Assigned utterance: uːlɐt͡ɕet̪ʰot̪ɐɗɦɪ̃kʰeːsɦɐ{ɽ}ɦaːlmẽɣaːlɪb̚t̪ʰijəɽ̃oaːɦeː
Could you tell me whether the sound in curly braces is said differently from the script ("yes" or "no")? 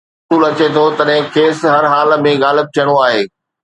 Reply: yes